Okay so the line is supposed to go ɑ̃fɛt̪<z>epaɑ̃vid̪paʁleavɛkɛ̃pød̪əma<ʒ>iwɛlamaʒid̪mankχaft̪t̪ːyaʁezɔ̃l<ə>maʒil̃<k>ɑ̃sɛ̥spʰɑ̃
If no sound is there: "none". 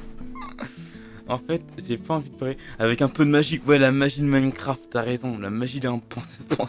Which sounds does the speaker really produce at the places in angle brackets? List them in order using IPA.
ʒ, ʒ, a, p

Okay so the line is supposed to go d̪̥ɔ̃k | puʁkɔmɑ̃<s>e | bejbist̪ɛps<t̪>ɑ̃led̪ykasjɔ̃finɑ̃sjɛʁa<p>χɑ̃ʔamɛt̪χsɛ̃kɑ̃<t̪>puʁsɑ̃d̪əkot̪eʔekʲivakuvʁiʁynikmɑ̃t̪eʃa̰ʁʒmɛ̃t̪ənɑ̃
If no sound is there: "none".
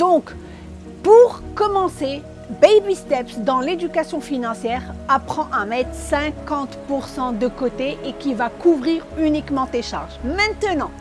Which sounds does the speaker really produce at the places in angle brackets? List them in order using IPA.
s, d̪, p, t̪

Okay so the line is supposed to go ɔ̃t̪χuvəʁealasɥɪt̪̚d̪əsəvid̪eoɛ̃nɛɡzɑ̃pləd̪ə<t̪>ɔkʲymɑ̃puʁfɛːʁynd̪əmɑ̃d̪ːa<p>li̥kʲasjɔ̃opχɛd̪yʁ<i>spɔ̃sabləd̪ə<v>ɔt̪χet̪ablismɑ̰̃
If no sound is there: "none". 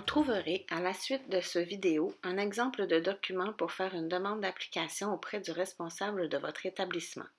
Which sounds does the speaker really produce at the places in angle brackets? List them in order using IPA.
d̪, p, ɛ, v

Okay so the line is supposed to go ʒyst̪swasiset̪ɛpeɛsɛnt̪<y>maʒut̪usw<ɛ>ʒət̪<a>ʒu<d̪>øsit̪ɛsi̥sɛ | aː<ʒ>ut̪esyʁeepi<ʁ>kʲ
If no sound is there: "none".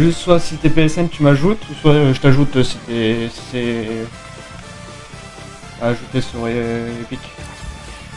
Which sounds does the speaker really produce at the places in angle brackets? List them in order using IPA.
y, a, a, t̪, ʒ, none

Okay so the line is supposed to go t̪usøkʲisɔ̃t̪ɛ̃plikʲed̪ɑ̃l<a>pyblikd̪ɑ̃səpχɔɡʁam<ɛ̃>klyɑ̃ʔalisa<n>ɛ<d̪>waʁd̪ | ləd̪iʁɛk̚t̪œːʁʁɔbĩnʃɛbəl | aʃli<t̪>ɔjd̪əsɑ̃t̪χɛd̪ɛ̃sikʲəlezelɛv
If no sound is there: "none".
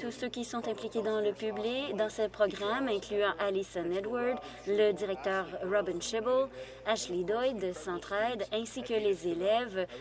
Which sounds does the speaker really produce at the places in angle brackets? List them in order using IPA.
ə, ɛ̃, n, d̪, d̪

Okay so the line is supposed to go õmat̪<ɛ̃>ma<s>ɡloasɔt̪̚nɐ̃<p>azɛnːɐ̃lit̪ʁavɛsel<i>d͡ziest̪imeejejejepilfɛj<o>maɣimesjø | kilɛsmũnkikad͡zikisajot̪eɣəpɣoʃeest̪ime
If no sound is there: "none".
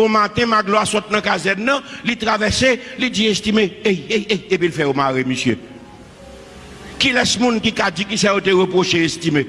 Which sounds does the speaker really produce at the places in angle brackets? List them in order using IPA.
ɛ̃, none, k, i, o

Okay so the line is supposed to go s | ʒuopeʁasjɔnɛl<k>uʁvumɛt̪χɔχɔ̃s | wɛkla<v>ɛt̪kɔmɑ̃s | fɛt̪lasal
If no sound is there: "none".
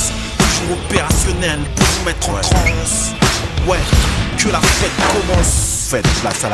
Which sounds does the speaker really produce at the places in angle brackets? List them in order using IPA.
p, f

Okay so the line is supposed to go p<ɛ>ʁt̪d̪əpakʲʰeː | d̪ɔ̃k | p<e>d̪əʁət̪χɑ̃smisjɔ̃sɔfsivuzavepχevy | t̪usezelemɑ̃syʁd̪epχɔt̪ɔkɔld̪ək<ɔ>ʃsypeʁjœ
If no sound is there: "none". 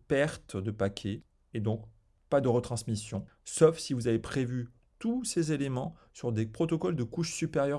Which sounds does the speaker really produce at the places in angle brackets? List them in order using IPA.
ɛ, a, u

